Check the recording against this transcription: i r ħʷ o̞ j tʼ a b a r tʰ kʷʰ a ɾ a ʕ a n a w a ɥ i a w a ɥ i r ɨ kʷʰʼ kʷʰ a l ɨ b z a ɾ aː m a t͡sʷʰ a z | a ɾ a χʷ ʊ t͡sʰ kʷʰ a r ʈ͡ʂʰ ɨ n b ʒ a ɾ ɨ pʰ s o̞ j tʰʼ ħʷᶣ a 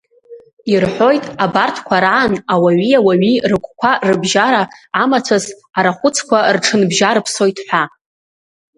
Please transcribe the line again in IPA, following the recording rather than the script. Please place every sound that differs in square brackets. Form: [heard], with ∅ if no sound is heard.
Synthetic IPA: i r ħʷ o̞ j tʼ a b a r tʰ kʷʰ a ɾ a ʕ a n a w a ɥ i a w a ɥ i r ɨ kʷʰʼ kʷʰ a [r] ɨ b [ʒ] a ɾ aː m a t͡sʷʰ a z | a ɾ a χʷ ʊ t͡sʰ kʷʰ a r ʈ͡ʂʰ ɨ n b ʒ a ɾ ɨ pʰ s o̞ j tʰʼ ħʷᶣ a